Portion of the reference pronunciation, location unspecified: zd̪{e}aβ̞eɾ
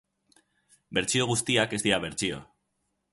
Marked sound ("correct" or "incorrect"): incorrect